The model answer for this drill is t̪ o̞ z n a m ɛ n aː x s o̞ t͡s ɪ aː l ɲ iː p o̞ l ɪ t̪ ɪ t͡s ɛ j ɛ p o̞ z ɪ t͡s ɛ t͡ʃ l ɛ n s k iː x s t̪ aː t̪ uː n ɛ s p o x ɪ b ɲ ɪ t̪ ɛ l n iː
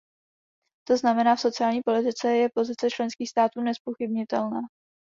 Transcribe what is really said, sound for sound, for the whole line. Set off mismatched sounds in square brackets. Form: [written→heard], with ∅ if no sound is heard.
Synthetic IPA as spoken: t̪ o̞ z n a m ɛ n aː [x→f] s o̞ t͡s ɪ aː l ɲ iː p o̞ l ɪ t̪ ɪ t͡s ɛ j ɛ p o̞ z ɪ t͡s ɛ t͡ʃ l ɛ n s k iː x s t̪ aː t̪ uː n ɛ s p o x ɪ b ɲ ɪ t̪ ɛ l n [iː→aː]